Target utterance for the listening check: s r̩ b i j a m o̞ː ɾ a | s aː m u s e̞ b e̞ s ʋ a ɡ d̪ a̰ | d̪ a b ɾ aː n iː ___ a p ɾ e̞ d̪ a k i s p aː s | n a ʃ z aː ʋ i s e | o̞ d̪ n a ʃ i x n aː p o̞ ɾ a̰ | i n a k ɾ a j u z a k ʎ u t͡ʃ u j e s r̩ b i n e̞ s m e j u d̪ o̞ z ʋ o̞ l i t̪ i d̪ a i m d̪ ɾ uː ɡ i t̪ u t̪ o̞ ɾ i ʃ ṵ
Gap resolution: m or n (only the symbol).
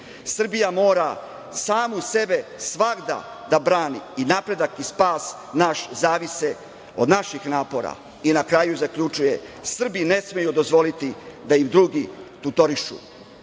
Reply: n